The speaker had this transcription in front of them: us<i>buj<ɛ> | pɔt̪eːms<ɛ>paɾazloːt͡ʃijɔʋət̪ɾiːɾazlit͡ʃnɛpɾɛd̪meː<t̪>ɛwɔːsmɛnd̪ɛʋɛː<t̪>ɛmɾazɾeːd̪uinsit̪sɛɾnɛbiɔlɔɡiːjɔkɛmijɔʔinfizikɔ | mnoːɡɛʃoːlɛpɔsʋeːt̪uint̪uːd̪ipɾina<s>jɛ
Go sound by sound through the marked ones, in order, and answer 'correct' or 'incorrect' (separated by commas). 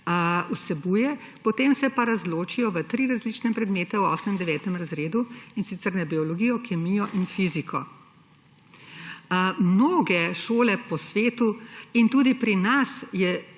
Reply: incorrect, correct, correct, correct, correct, correct